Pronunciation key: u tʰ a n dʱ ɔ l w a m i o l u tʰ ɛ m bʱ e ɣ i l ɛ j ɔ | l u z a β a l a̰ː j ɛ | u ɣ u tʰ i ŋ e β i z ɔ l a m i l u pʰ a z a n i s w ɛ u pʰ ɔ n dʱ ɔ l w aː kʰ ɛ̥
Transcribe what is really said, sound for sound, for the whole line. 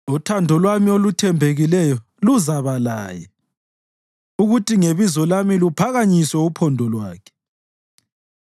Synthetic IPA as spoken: u tʰ a n dʱ ɔ l w a m i o l u tʰ ɛ m bʱ e ɣ i l ɛ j ɔ | l u z a β a l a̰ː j ɛ | u ɣ u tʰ i ŋ e β i z ɔ l a m i l u pʰ a ɣ a ɲ i s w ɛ u pʰ ɔ n dʱ ɔ l w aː kʰ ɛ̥